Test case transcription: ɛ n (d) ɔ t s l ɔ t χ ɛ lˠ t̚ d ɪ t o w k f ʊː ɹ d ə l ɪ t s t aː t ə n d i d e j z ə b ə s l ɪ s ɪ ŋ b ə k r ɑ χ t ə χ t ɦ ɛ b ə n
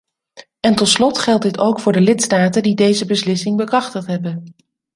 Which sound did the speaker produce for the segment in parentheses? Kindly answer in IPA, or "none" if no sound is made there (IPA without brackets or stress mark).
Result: t